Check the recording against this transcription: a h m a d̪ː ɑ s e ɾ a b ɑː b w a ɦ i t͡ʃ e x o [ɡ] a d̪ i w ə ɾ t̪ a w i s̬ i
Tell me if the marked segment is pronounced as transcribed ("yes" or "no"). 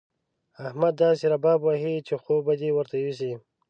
no